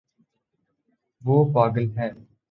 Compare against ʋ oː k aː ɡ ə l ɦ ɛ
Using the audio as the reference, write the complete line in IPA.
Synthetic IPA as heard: ʋ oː p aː ɡ ə l ɦ ɛː

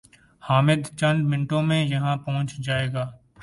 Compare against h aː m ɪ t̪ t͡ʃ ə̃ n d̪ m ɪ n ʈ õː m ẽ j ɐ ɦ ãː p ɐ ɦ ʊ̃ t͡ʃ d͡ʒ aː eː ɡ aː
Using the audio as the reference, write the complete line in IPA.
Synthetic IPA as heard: h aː m ɪ d̪ t͡ʃ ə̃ n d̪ m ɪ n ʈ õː m ẽ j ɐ ɦ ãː p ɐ ɦ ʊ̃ t͡ʃ d͡ʒ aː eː ɡ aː

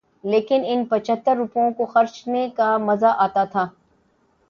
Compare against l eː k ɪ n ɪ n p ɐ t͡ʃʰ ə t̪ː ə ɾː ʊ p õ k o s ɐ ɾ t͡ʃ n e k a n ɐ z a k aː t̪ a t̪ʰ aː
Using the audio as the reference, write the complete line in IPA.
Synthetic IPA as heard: l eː k ɪ n ɪ n p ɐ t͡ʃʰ ə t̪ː ə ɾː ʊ p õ k o x ɐ ɾ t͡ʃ n e k a m ɐ z a ʔ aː t̪ a t̪ʰ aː

